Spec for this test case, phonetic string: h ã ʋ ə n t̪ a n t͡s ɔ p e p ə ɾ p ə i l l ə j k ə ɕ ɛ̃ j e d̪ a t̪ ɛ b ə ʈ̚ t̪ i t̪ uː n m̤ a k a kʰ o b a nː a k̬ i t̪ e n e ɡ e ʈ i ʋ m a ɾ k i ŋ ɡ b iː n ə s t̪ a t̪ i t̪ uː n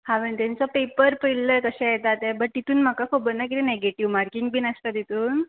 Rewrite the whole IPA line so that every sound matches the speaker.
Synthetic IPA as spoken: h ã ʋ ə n t̪ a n t͡s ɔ p e p ə ɾ p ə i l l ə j k ə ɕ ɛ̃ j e t̪ a t̪ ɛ b ə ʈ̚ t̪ i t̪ uː n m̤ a k a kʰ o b ə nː a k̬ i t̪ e n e ɡ e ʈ i ʋ m a ɾ k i ŋ ɡ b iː n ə s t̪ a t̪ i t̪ uː n